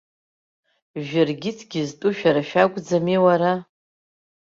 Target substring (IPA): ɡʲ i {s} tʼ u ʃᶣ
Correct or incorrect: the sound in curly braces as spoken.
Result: incorrect: z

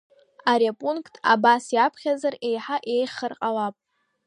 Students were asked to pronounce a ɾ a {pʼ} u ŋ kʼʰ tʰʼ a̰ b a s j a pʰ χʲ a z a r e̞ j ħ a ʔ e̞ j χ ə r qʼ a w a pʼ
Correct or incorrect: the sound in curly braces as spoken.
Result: correct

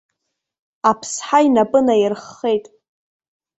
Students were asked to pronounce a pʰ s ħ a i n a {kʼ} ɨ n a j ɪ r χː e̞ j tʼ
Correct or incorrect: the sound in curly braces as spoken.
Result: incorrect: pʼ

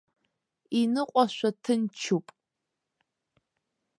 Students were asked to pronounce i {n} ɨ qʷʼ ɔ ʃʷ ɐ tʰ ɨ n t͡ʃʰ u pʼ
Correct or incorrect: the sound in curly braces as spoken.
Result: correct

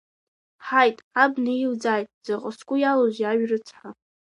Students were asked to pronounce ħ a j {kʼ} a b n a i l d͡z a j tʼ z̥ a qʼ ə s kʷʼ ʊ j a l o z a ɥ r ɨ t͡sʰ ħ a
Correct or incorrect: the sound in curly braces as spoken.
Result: incorrect: tʼ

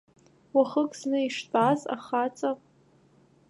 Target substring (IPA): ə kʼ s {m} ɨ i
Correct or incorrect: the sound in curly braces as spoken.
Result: incorrect: n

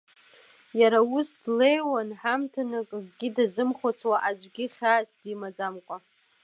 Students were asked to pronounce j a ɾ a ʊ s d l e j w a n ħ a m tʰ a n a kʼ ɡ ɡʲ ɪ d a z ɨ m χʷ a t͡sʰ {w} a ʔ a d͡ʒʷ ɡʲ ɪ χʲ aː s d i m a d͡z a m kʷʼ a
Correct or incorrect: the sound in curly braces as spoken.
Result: correct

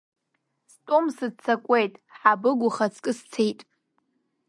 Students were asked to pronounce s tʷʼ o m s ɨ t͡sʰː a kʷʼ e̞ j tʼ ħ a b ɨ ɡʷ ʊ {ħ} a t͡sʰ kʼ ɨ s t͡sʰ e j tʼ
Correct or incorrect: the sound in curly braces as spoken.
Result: incorrect: χ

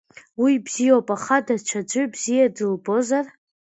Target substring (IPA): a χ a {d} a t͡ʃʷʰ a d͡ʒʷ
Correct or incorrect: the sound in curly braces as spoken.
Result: correct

